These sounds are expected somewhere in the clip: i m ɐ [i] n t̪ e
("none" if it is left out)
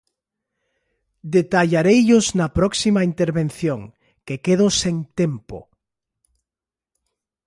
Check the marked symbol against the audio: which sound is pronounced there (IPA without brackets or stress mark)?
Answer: i